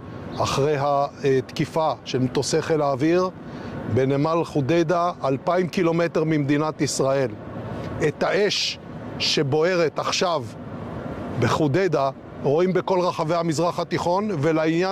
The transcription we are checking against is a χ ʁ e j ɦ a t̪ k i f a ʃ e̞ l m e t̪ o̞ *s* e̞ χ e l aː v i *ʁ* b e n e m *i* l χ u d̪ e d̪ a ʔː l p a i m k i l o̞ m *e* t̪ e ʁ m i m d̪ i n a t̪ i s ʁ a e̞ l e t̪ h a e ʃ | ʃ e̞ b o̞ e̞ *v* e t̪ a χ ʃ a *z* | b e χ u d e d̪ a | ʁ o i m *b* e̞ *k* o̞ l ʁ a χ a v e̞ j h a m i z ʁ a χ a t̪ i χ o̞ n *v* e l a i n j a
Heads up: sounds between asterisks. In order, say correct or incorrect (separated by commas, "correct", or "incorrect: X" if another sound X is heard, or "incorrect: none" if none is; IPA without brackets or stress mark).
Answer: correct, correct, incorrect: a, correct, incorrect: ʁ, incorrect: v, correct, correct, correct